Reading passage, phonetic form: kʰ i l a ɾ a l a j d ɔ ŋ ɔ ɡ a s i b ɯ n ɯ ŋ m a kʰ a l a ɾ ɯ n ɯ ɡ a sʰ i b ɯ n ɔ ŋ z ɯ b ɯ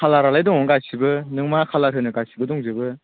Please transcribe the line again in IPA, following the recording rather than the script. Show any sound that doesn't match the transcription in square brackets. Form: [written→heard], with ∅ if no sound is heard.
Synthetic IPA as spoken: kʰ [i→a] l a ɾ a l a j d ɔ ŋ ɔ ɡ a s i b ɯ n ɯ ŋ m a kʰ a l a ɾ ɯ n ɯ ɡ a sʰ i b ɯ [n→d] ɔ ŋ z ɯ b ɯ

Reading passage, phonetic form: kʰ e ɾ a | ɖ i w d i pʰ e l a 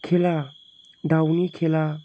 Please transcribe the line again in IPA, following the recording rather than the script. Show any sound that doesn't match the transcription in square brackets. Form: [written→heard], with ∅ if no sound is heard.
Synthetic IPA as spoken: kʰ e [ɾ→l] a | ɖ [i→a] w [d→n] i [pʰ→kʰ] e l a

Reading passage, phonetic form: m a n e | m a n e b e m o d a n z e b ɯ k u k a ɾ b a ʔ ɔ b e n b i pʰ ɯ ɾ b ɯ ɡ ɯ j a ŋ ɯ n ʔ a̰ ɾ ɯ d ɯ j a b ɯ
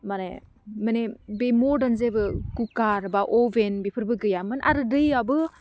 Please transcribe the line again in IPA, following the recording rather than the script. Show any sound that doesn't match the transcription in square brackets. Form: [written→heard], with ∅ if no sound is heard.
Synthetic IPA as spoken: m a n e | m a n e b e m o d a n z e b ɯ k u k a ɾ b a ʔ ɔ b e n b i pʰ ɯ ɾ b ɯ ɡ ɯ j a [ŋ→m] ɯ n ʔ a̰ ɾ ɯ d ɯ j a b ɯ

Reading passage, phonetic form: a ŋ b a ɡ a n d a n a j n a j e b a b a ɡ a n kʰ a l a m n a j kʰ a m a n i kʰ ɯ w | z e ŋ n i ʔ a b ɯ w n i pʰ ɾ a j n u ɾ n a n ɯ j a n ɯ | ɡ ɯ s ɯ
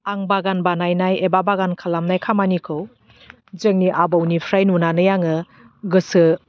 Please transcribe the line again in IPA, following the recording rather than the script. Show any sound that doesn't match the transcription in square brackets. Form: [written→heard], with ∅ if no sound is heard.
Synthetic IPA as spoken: a ŋ b a ɡ a n [d→b] a n a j n a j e b a b a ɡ a n kʰ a l a m n a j kʰ a m a n i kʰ ɯ w | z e ŋ n i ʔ a b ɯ w n i pʰ ɾ a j n u [ɾ→∅] n a n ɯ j a [n→ŋ] ɯ | ɡ ɯ s ɯ

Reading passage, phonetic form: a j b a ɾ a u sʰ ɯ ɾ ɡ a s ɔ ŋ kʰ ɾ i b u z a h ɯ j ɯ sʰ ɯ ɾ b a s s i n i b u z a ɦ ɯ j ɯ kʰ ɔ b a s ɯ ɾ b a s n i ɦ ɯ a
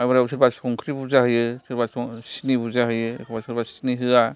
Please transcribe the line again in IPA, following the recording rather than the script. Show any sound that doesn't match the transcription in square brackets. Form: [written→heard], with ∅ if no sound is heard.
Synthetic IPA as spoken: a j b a ɾ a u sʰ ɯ ɾ [ɡ→b] a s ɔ ŋ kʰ ɾ i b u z a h ɯ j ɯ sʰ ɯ ɾ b a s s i n i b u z a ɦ ɯ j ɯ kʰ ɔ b a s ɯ ɾ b a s n i ɦ ɯ a

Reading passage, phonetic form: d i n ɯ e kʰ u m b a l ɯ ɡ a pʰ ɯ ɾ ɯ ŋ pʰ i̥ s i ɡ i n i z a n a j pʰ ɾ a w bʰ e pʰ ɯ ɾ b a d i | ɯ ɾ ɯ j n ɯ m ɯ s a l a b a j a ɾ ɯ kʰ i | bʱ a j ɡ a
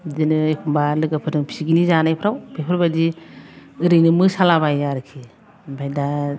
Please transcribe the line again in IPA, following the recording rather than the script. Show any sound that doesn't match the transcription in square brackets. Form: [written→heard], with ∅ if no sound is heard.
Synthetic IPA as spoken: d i n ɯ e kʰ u m b a l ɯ ɡ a pʰ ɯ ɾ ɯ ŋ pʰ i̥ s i ɡ i n i z a n a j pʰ ɾ a w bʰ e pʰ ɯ ɾ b a d i | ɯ ɾ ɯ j n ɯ m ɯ s a l a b a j a ɾ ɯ kʰ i | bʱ a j [ɡ→d] a

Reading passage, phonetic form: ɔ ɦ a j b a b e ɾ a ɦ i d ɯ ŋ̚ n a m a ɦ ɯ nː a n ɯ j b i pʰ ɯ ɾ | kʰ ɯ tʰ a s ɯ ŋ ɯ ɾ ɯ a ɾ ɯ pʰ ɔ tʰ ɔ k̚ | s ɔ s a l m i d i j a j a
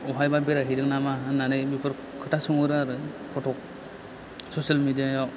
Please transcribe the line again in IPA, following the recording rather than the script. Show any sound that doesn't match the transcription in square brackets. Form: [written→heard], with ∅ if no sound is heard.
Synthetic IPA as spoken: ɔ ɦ a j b a b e ɾ a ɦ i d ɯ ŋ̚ n a m a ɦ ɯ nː a n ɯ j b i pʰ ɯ ɾ | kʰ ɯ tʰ a s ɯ ŋ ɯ ɾ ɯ a ɾ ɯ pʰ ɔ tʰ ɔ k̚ | s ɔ s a l m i d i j a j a

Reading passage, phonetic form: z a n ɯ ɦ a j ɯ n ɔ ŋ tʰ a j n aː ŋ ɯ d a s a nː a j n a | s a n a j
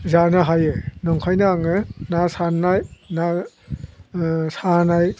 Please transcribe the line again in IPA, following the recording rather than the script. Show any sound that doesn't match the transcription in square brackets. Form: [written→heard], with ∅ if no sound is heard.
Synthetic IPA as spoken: z a n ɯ ɦ a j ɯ n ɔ ŋ [tʰ→kʰ] a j n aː ŋ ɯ [d→n] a s a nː a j n a | s a n a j

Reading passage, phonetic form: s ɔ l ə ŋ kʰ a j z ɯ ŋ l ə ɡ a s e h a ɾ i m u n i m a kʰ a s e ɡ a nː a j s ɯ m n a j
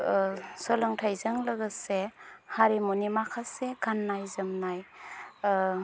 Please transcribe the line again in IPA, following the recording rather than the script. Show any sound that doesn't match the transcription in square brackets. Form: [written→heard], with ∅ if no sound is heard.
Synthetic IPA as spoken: s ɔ l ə ŋ [kʰ→tʰ] a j z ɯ ŋ l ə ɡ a s e h a ɾ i m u n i m a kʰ a s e ɡ a nː a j [s→z] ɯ m n a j

